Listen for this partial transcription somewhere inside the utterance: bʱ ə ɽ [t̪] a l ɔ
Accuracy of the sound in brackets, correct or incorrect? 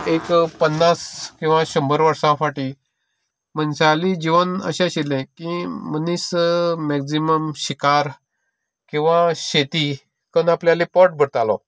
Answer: correct